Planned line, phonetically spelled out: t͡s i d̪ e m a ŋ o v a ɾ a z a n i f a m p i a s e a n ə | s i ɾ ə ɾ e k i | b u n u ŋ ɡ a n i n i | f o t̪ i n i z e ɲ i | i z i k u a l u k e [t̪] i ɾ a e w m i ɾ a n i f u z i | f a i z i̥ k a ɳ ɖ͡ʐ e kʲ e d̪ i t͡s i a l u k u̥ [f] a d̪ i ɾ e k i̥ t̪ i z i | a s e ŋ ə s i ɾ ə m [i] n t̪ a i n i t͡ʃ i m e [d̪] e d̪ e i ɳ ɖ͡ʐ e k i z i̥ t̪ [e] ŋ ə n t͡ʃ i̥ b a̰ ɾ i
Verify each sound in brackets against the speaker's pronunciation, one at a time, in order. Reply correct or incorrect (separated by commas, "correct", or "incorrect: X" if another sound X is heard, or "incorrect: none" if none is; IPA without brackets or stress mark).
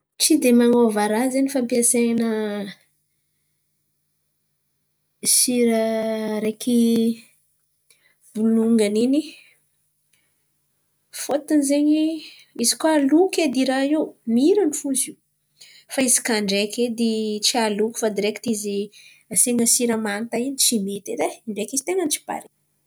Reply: incorrect: d̪, correct, incorrect: a, incorrect: t̪, correct